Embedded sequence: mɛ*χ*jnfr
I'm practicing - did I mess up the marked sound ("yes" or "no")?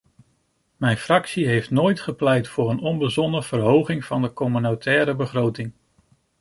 yes